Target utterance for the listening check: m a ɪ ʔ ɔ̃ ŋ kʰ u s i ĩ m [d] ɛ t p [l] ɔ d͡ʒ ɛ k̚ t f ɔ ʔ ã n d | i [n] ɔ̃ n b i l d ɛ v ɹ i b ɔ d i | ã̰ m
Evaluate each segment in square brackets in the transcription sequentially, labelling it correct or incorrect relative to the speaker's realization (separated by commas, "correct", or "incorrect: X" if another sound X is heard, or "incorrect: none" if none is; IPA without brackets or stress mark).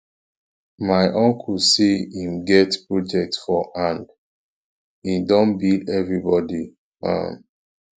incorrect: ɡ, incorrect: ɹ, incorrect: d